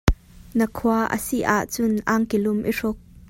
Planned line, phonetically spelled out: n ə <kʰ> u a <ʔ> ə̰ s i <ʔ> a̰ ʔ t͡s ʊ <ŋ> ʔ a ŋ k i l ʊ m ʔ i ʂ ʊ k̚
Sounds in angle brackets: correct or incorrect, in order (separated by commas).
correct, correct, correct, incorrect